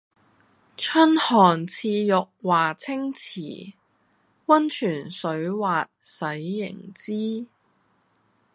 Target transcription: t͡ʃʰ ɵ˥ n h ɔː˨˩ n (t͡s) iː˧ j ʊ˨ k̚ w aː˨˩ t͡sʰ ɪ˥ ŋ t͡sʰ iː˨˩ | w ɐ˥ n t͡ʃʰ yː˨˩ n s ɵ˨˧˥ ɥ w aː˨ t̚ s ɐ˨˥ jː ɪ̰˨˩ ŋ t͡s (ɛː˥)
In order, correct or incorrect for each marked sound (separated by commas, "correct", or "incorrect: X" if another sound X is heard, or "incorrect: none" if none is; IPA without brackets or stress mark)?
incorrect: t͡sʰ, incorrect: iː˥